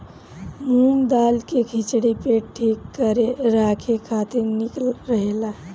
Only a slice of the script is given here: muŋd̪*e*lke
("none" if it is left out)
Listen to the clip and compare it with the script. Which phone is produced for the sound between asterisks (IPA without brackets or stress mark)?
a